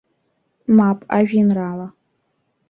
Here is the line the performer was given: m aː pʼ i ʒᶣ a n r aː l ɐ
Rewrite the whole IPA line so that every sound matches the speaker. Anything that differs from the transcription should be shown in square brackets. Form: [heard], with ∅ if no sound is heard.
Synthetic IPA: m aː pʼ [a] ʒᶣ [i] n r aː l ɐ